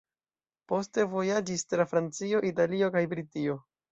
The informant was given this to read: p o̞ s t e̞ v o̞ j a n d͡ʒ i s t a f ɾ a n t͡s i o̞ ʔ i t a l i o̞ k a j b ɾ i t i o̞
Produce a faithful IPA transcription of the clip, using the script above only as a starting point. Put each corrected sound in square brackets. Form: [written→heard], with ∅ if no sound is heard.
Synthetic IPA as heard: p o̞ s t e̞ v o̞ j a [n→∅] d͡ʒ i s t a f ɾ a n t͡s i o̞ ʔ i t a l i o̞ k a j b ɾ i t i o̞